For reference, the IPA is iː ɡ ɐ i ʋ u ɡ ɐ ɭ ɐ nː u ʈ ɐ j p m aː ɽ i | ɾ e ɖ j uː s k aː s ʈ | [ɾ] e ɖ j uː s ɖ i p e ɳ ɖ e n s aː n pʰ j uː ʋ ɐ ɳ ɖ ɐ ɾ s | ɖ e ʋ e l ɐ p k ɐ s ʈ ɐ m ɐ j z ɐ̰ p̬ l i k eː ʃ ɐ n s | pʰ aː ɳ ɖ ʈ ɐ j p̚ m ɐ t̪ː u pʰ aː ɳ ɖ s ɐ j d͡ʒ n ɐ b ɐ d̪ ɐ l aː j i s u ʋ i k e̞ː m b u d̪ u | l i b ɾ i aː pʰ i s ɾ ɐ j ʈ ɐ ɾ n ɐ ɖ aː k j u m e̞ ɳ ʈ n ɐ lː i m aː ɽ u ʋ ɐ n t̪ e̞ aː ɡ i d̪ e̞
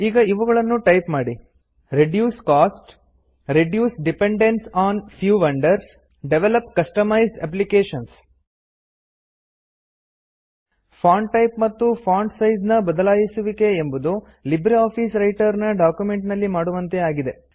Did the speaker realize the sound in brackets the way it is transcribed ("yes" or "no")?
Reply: yes